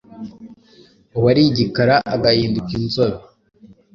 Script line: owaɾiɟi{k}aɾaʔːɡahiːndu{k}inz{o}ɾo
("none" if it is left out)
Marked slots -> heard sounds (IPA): k, k, o

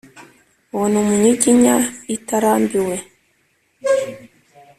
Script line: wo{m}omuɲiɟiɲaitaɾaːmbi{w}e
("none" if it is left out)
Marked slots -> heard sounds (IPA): n, w

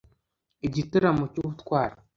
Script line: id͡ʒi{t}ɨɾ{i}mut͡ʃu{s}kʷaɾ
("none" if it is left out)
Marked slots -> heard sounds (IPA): t, a, t

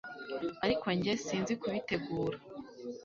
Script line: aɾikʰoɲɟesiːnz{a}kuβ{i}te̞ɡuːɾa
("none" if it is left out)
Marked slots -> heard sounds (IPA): i, i

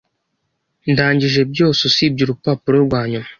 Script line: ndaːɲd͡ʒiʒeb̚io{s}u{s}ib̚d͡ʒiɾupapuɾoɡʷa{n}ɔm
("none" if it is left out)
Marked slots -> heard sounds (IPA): s, s, ɲ

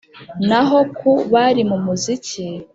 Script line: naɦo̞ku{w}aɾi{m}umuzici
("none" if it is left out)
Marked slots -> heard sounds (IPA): β, m

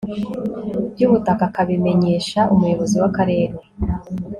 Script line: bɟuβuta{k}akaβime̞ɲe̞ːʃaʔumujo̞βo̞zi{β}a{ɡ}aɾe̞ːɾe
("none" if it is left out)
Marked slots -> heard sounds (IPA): k, w, k

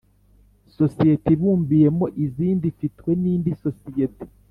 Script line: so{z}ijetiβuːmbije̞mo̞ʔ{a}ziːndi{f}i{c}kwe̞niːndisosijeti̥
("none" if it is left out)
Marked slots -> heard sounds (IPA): s, i, f, t

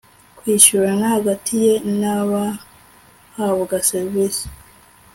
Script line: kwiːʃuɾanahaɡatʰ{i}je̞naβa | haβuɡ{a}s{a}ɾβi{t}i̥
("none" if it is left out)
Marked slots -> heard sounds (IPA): i, a, e, s

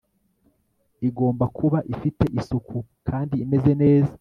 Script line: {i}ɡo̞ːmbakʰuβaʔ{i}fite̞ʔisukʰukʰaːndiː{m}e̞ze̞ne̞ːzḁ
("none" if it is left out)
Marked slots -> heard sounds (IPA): i, i, m

